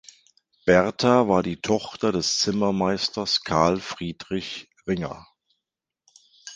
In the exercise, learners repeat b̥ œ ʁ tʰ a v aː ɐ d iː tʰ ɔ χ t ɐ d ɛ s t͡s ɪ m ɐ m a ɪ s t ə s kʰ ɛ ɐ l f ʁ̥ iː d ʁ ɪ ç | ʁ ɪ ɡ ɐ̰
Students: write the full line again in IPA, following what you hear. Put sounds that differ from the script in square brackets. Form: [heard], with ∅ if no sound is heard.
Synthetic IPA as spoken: b̥ [ɛ] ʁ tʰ a v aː ɐ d iː tʰ ɔ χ t ɐ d ɛ s t͡s ɪ m ɐ m a ɪ s t [ɐ] s kʰ [a] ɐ l f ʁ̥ iː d ʁ ɪ ç | ʁ ɪ [ŋ] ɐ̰

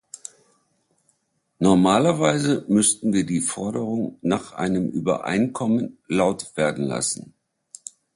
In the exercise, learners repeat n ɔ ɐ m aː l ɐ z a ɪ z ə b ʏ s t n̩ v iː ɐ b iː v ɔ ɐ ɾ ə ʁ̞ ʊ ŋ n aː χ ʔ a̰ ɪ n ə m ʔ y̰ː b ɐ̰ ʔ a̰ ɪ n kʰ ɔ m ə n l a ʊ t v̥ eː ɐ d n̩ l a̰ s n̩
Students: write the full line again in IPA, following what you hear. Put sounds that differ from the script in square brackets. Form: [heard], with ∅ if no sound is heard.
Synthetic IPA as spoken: n ɔ ɐ m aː l ɐ [v] a ɪ z ə [m] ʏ s t n̩ v iː ɐ [d] iː [f] ɔ ɐ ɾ ə ʁ̞ ʊ ŋ n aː χ ʔ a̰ ɪ n ə m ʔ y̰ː b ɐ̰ ʔ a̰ ɪ n kʰ ɔ m ə n l a ʊ t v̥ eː ɐ d n̩ l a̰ s n̩

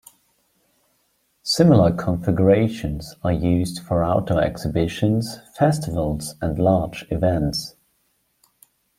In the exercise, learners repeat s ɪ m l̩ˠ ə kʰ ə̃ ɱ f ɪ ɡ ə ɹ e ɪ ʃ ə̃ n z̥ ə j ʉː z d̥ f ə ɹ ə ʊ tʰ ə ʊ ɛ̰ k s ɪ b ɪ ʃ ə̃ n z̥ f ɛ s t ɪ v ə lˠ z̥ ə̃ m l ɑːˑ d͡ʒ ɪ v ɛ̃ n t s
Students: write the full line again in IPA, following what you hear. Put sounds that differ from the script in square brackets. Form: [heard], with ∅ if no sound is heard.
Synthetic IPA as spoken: s ɪ m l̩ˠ ə kʰ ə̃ ɱ f ɪ ɡ ə ɹ e ɪ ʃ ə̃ n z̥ ə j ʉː z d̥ f ə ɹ [a] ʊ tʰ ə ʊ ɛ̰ k s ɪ b ɪ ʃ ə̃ n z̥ f ɛ s t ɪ v ə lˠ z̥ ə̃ [n] l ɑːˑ d͡ʒ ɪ v ɛ̃ n t s

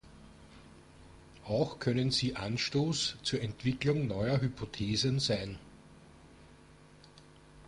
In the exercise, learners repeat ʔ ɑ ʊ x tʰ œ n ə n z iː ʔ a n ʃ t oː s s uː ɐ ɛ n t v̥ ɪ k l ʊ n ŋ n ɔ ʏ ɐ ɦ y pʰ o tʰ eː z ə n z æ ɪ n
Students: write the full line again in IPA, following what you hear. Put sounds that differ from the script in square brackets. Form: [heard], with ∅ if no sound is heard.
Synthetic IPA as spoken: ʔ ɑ ʊ x [kʰ] œ n ə n z iː ʔ a n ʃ t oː s [t͡s] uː ɐ ɛ n t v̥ ɪ k l ʊ [∅] ŋ n ɔ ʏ ɐ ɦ y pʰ o tʰ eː z ə n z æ ɪ n

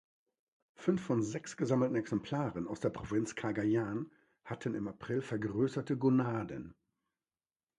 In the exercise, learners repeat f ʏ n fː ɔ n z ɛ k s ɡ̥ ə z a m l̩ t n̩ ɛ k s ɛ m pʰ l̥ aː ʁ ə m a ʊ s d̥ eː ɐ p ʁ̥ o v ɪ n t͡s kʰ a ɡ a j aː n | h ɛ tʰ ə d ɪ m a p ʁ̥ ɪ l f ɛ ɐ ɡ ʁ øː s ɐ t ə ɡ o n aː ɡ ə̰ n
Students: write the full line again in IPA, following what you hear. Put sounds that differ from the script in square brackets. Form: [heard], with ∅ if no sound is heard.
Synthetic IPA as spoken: f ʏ n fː ɔ n z ɛ k s ɡ̥ ə z a m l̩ t n̩ ɛ k s ɛ m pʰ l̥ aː ʁ ə [n] a ʊ s d̥ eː ɐ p ʁ̥ o v ɪ n t͡s kʰ a ɡ a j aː n | h [a] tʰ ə [n] ɪ m a p ʁ̥ ɪ l f ɛ ɐ ɡ ʁ øː s ɐ t ə ɡ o n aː [d] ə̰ n

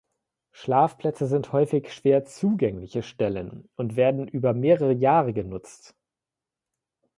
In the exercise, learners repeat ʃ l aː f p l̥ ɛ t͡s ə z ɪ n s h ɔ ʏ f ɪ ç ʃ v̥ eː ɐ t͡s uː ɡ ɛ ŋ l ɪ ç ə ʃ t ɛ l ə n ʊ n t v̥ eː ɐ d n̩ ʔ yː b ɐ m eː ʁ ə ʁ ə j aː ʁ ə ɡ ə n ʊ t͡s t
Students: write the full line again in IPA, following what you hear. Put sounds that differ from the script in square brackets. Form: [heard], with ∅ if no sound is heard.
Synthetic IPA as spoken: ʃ l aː f p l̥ ɛ t͡s ə z ɪ n [t] h ɔ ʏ f ɪ ç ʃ v̥ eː ɐ t͡s uː ɡ ɛ ŋ l ɪ ç ə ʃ t ɛ l ə n ʊ n t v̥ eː ɐ d n̩ ʔ yː b ɐ m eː ʁ ə ʁ ə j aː ʁ ə ɡ ə n ʊ t͡s t

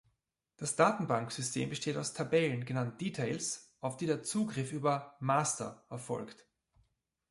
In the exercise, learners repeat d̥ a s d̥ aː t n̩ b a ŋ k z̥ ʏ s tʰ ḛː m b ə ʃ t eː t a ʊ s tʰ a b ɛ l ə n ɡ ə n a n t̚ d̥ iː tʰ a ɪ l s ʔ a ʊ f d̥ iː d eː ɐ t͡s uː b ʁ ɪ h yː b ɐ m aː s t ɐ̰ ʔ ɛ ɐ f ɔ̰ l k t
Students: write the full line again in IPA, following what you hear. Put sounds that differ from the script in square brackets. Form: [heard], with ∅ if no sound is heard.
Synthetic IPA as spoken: d̥ a s d̥ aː t n̩ b a ŋ k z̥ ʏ s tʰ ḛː m b ə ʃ t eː t a ʊ s tʰ a b ɛ l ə n ɡ ə n a n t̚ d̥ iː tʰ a ɪ l s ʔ a ʊ f d̥ iː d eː ɐ t͡s uː [ɡ] ʁ ɪ [f] yː b ɐ m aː s t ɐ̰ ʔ ɛ ɐ f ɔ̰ l k t

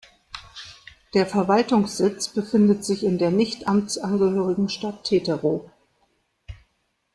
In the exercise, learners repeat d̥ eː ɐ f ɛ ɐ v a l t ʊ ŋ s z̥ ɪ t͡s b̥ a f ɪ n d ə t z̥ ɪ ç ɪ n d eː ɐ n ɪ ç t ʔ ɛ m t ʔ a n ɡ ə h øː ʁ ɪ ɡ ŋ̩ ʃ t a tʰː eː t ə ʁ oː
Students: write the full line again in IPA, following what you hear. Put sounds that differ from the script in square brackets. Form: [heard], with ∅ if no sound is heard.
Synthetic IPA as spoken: d̥ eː ɐ f ɛ ɐ v a l t ʊ ŋ s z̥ ɪ t͡s b̥ [ə] f ɪ n d ə t z̥ ɪ ç ɪ n d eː ɐ n ɪ ç t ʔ [a] m [t͡s] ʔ a n ɡ ə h øː ʁ ɪ ɡ ŋ̩ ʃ t a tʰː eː t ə ʁ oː

